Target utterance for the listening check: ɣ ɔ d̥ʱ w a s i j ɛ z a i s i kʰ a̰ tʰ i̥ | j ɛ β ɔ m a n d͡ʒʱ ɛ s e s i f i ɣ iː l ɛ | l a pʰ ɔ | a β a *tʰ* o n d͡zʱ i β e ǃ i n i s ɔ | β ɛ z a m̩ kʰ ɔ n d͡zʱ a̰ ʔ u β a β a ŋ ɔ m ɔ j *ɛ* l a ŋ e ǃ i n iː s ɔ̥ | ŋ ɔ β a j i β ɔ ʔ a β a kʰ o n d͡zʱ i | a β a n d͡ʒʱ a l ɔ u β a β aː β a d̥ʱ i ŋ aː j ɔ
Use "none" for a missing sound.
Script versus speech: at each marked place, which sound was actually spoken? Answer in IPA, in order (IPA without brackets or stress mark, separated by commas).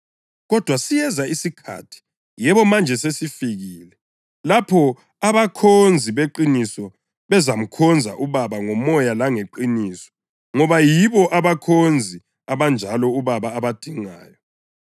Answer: kʰ, a